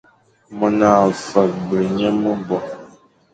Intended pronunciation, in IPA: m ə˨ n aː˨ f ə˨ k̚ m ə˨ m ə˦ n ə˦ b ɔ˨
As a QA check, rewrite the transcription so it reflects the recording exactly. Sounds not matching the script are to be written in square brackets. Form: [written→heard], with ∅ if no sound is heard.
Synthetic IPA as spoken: m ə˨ n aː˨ f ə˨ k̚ [m→b] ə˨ [m→ɲ] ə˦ [n→m] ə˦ b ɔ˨